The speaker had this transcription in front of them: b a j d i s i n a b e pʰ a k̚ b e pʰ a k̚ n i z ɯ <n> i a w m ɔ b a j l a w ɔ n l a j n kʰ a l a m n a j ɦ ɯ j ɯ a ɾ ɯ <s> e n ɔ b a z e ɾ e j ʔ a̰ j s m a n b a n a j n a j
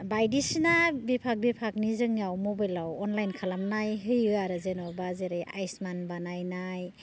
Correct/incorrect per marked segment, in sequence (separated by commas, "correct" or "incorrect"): incorrect, incorrect